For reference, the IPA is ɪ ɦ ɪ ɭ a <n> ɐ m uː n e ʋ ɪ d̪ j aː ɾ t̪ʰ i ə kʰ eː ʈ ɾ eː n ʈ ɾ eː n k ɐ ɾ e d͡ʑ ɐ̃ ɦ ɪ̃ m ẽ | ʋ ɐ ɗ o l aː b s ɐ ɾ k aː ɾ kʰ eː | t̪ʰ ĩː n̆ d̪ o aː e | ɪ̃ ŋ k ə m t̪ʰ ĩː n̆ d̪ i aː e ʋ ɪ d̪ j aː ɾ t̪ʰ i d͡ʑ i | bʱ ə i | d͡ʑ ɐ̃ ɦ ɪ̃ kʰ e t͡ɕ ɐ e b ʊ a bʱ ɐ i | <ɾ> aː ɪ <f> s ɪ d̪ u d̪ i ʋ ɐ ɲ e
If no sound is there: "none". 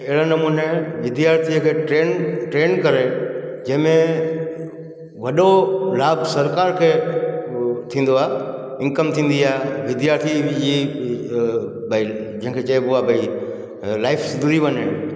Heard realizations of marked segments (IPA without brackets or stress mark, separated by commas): n, l, f